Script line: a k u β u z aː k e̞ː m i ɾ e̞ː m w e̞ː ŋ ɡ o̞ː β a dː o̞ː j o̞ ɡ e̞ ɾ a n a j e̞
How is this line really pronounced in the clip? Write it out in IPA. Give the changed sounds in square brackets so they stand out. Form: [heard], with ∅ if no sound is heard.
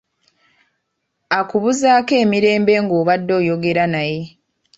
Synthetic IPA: a k u β u z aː k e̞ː m i ɾ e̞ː m [b] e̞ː ŋ ɡ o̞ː β a dː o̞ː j o̞ ɡ e̞ ɾ a n a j e̞